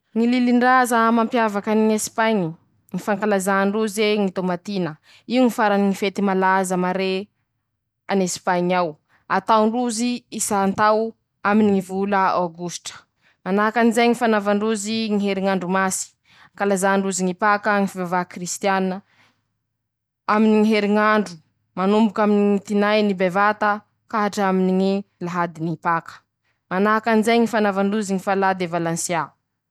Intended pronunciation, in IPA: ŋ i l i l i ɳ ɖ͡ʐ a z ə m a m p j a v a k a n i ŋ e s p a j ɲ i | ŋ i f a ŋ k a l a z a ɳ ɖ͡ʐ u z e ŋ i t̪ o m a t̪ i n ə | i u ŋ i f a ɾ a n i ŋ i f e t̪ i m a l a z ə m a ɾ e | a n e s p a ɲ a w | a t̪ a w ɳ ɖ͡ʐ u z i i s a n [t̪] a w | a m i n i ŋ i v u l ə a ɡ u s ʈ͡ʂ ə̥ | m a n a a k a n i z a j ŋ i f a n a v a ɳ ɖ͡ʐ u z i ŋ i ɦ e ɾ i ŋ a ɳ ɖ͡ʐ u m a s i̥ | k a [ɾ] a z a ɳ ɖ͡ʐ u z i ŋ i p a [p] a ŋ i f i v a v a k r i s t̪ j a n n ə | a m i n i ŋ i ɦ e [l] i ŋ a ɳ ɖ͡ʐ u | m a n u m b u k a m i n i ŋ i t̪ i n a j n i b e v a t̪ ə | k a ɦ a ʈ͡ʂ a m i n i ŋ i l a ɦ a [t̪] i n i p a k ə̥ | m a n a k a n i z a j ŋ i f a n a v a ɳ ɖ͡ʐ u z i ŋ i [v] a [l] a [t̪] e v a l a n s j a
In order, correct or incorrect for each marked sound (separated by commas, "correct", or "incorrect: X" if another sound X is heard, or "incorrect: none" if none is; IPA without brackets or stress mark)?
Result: correct, incorrect: l, incorrect: k, incorrect: ɾ, incorrect: d̪, incorrect: f, correct, incorrect: d̪